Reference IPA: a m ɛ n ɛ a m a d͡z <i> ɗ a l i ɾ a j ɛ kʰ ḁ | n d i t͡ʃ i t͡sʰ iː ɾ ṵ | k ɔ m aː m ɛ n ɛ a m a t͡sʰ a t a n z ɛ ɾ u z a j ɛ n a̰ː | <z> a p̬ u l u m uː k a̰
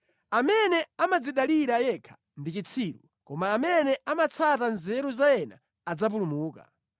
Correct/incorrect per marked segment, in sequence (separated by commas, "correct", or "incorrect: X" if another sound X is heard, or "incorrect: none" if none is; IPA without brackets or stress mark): correct, incorrect: d͡z